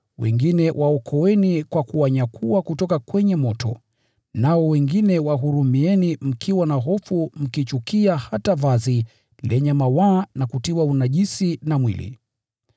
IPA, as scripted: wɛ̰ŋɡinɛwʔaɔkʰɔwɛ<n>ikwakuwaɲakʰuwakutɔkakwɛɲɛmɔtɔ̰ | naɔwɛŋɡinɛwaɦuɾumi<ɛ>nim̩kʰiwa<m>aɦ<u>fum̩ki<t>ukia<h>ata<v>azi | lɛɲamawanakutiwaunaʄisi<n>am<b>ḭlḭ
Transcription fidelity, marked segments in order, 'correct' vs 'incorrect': correct, correct, incorrect: n, incorrect: ɔ, incorrect: t͡ʃ, correct, correct, correct, incorrect: w

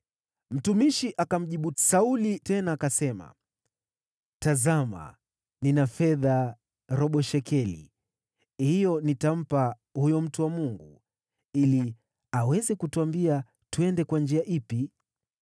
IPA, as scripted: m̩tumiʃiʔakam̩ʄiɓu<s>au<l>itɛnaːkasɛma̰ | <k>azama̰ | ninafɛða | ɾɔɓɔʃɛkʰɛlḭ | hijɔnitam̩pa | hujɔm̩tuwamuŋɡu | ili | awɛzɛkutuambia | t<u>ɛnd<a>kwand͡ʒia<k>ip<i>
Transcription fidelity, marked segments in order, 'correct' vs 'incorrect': correct, correct, incorrect: t, correct, incorrect: ɛ, incorrect: ʔ, correct

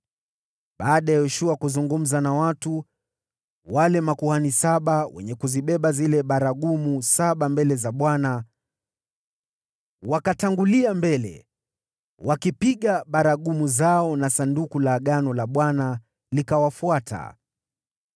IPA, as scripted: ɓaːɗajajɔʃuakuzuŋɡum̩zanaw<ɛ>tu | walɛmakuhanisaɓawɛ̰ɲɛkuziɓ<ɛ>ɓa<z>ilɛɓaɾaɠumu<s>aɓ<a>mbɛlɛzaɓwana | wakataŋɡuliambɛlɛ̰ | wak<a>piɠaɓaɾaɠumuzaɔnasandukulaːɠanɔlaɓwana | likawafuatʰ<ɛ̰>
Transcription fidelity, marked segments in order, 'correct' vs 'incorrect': incorrect: a, correct, correct, correct, correct, incorrect: i, incorrect: a̰

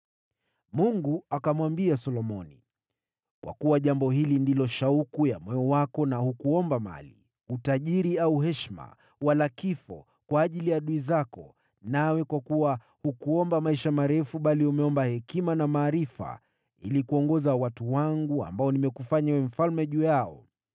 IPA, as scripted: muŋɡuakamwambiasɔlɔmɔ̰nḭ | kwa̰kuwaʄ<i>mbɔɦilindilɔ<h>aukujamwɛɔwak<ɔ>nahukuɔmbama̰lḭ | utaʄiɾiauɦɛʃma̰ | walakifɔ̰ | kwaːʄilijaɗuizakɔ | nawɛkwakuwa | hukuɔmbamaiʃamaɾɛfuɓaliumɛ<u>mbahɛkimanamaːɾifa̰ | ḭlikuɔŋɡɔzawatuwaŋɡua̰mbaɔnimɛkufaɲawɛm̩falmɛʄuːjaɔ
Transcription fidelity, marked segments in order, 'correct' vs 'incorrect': incorrect: a, incorrect: ʃ, correct, incorrect: ɔ

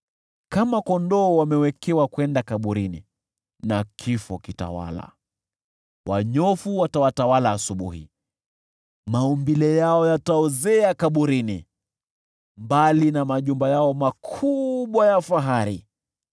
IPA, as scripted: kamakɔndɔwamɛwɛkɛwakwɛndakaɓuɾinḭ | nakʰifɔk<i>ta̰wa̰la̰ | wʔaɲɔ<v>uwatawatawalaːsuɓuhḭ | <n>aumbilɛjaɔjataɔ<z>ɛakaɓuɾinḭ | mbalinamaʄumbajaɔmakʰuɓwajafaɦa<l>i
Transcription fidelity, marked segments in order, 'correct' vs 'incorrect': correct, incorrect: f, incorrect: m, correct, incorrect: ɾ

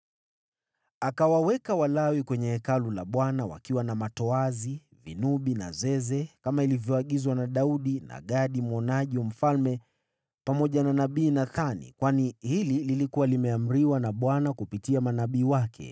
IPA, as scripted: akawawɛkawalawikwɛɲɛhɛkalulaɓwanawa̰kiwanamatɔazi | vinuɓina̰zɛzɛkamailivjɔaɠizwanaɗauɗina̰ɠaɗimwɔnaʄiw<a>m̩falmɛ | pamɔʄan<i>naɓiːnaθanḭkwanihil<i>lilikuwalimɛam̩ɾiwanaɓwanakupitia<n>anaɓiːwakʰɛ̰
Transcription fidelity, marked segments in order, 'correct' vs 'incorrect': correct, incorrect: a, correct, incorrect: m

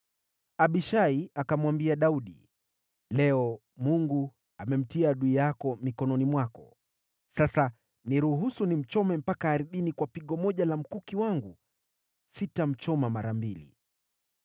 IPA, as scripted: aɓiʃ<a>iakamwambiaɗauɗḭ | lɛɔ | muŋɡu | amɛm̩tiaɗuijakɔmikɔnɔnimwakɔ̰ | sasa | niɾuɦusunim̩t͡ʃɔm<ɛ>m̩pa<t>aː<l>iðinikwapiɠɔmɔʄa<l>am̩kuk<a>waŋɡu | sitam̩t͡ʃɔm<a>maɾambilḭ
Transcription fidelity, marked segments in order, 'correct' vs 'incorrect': correct, correct, incorrect: k, incorrect: ɾ, correct, incorrect: i, correct

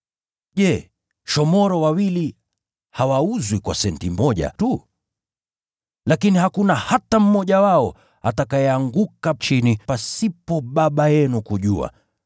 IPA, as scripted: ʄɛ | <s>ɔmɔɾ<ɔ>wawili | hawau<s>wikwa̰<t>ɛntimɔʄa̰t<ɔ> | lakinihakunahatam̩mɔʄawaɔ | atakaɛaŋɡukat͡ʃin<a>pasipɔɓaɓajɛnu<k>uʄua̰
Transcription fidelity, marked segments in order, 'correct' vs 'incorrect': incorrect: ʃ, correct, incorrect: z, incorrect: s, incorrect: u, incorrect: i, correct

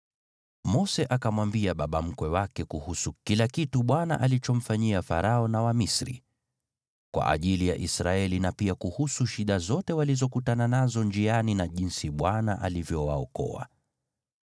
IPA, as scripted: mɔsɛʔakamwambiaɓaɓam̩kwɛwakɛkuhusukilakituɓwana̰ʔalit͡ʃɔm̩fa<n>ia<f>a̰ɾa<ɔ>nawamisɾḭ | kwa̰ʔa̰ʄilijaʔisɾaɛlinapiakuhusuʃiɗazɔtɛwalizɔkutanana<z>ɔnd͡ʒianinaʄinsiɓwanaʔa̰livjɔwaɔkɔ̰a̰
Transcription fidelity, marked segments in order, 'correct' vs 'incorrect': incorrect: ɲ, correct, correct, correct

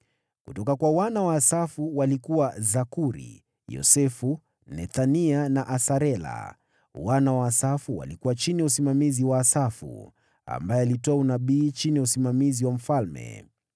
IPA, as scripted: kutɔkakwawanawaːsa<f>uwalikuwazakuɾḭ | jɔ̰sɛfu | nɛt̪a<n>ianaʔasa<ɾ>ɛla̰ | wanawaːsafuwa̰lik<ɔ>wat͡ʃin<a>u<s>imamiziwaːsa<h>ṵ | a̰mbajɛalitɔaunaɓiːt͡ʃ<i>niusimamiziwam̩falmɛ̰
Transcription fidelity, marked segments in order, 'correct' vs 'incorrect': correct, correct, correct, incorrect: u, incorrect: i, correct, incorrect: f, correct

